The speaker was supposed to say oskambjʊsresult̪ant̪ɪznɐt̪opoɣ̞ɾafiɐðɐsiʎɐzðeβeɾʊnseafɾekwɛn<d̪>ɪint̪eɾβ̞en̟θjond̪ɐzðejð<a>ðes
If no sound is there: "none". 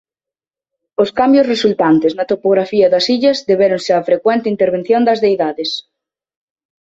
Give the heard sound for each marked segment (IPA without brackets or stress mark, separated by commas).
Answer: t̪, a